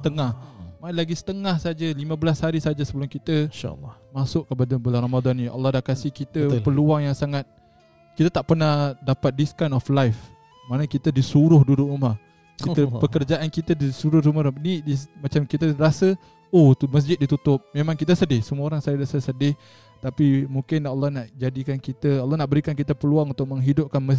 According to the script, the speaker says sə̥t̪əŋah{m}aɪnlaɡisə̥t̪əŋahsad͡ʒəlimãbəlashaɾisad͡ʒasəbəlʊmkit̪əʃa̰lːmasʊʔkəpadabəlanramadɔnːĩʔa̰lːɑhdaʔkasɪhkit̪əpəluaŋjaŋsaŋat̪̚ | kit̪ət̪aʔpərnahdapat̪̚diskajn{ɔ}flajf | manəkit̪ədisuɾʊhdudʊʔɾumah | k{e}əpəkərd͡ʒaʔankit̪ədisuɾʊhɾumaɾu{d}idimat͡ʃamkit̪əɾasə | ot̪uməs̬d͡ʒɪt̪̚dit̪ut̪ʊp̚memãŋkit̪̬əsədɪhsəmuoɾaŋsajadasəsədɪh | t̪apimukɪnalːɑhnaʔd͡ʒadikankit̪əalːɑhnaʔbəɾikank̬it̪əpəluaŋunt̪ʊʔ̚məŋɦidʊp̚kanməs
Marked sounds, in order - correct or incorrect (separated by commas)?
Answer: correct, correct, incorrect, incorrect